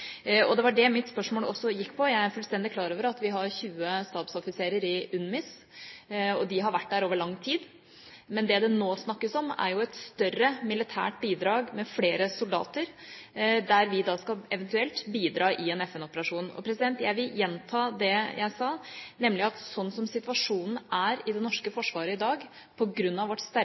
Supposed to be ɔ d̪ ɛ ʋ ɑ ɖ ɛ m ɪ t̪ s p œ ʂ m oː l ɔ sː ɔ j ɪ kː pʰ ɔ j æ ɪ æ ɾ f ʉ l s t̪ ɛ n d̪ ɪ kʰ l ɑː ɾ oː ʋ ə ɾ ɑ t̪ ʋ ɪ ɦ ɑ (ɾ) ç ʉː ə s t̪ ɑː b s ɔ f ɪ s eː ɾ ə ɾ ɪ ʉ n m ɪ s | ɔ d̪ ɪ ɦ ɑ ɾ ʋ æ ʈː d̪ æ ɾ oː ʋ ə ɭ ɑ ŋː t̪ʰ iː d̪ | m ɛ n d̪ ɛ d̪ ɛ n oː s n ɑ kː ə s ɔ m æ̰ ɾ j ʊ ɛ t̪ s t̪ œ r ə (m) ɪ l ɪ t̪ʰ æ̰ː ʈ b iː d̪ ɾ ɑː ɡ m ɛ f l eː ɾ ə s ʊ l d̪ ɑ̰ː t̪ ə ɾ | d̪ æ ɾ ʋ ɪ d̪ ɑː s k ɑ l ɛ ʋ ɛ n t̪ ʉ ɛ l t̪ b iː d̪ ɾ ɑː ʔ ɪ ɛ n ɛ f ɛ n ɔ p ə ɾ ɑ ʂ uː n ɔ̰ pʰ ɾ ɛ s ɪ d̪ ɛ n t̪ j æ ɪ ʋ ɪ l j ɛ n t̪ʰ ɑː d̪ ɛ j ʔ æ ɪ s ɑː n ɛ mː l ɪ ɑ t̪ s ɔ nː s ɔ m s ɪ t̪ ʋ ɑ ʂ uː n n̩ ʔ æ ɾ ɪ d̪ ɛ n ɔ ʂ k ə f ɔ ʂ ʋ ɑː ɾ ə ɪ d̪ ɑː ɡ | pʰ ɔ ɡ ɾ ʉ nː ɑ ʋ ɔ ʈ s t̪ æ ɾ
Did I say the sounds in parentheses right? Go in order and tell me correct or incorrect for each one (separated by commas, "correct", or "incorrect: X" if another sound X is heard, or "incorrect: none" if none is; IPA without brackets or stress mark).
correct, correct